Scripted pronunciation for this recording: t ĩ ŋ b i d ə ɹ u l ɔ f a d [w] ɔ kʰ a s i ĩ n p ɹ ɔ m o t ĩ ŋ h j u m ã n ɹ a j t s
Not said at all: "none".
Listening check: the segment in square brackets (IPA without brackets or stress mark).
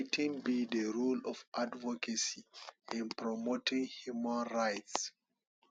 v